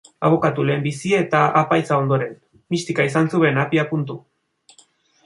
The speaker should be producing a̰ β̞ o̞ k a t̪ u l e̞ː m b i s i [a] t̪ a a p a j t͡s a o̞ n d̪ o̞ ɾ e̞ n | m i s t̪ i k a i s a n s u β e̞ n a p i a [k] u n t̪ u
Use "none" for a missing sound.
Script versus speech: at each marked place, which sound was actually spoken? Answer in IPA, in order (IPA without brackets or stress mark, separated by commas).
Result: e, p